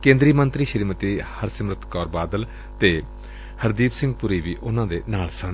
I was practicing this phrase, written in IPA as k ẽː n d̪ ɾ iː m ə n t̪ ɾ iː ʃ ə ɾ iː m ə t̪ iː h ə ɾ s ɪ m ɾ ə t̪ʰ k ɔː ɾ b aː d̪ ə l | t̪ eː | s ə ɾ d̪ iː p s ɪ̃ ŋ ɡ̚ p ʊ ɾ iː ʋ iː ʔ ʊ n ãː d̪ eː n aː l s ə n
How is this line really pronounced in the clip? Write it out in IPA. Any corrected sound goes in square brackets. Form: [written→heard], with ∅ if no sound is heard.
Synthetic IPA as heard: k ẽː n d̪ ɾ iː m ə n t̪ ɾ iː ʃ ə ɾ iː m ə t̪ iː h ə ɾ s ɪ m ɾ ə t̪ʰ k ɔː ɾ b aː d̪ ə l | t̪ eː | [s→h] ə ɾ d̪ iː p s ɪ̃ ŋ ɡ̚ p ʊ ɾ iː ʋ iː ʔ ʊ n ãː d̪ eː n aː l s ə n